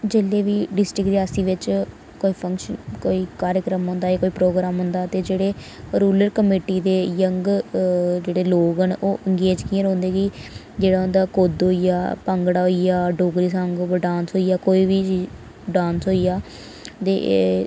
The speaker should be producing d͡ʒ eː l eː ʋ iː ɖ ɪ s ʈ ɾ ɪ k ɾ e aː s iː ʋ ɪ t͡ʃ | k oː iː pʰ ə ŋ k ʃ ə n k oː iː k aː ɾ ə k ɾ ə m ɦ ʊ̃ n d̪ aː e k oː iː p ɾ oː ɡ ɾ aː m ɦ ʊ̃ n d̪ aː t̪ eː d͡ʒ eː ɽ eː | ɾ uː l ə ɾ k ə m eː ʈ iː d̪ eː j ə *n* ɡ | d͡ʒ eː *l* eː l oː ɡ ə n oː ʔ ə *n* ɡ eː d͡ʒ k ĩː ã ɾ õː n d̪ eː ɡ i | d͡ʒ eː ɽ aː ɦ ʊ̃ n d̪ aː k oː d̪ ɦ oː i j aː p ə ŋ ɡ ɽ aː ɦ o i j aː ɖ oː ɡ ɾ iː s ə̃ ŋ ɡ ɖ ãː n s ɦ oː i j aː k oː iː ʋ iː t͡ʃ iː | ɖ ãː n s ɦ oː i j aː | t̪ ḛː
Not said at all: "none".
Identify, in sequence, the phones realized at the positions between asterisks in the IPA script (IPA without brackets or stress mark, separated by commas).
ŋ, ɽ, ŋ